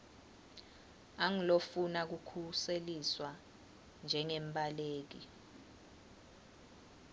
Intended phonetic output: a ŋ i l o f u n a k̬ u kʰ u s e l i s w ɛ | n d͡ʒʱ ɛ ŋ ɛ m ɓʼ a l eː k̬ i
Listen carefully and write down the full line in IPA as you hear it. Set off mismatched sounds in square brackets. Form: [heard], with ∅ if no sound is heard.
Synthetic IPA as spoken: a ŋ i l o f u n a k̬ u kʰ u s e l i s w [a] | n d͡ʒʱ ɛ ŋ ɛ m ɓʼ a l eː k̬ i